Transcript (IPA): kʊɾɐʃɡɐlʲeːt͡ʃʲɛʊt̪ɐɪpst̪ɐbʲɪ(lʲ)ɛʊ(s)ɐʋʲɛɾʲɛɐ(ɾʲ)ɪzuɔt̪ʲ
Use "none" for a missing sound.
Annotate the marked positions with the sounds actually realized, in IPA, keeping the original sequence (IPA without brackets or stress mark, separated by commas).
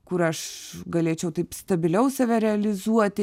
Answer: lʲ, s, lʲ